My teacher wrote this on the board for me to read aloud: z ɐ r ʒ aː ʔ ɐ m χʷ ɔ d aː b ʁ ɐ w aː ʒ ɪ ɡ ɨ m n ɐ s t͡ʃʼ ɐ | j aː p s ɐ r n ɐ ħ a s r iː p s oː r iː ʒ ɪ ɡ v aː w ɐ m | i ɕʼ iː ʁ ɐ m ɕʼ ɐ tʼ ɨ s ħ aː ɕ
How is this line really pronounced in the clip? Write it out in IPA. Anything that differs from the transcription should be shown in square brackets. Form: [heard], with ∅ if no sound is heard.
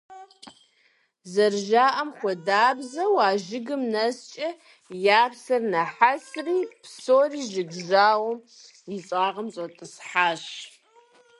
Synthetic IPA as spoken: z ɐ r ʒ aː ʔ ɐ m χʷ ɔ d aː b [z] ɐ w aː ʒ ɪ ɡ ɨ m n ɐ s t͡ʃʼ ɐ | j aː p s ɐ r n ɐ ħ a s r iː p s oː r iː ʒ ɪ ɡ [ʒ] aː w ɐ m | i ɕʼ [aː] ʁ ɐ m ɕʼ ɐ tʼ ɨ s ħ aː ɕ